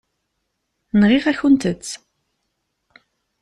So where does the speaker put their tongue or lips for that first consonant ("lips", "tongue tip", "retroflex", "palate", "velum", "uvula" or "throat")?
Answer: tongue tip